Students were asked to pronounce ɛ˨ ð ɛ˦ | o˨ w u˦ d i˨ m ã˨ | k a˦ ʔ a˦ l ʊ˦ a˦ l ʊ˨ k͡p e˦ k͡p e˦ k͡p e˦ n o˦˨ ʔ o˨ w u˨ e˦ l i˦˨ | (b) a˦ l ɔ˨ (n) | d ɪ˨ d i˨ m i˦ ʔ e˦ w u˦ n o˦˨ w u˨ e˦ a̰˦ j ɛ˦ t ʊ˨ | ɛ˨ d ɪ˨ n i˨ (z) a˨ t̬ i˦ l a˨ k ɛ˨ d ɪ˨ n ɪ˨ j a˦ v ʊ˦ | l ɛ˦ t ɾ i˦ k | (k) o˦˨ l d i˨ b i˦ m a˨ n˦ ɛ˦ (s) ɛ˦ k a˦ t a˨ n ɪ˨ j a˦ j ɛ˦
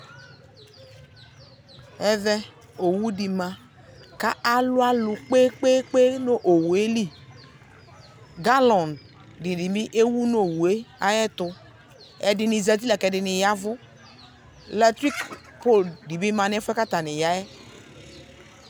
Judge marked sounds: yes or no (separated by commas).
no, yes, yes, no, no